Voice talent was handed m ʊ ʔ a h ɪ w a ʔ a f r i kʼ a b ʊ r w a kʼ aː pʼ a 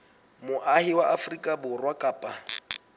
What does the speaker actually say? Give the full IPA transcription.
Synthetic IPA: m ʊ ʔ a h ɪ w a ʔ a f r i kʼ a b ʊ r w a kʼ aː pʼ a

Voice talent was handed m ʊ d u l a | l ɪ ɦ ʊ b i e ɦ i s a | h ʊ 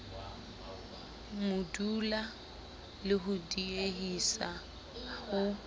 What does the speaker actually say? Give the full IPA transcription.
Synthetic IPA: m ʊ d u l a | l ɪ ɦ ʊ d i e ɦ i s a | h ʊ

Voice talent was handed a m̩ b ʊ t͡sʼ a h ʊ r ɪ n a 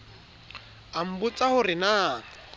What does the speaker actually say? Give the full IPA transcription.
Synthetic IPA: a m̩ b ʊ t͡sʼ a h ʊ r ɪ n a

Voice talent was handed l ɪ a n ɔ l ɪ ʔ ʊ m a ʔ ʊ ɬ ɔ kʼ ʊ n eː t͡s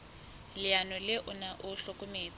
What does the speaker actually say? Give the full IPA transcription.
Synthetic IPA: l ɪ a n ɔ l ɪ ʔ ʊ n a ʔ ʊ ɬ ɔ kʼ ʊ m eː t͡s

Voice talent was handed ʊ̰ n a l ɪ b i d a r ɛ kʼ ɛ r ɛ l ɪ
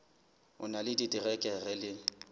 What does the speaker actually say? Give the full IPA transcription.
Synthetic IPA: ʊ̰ n a l ɪ d i d i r ɛ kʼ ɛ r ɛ l ɪ

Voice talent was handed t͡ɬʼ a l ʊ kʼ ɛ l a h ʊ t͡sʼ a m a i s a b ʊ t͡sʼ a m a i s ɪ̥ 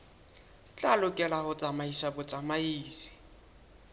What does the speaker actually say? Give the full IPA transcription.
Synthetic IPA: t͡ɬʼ a l ʊ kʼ ɛ l a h ʊ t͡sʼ a m a i s a b ʊ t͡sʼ a m a iː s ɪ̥

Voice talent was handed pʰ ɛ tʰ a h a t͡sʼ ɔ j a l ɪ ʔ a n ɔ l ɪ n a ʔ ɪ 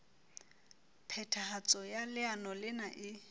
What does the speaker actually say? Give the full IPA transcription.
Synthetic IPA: pʰ ɛ tʰ a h a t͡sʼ ɔ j a l ɪ a n ɔ l ɪ n a ʔ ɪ

